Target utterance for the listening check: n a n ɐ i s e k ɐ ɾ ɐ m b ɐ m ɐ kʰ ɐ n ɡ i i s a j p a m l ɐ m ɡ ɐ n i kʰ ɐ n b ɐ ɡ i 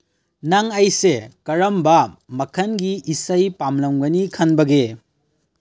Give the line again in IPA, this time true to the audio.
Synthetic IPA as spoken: n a ŋ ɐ j s e k ɐ ɾ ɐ m b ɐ m ɐ kʰ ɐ n ɡ i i s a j p a m l ɐ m ɡ ɐ n i kʰ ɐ n b ɐ ɡ e